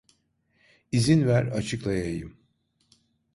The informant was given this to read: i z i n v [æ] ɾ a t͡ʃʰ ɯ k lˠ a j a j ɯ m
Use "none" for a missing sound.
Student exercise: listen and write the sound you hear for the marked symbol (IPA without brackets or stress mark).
æ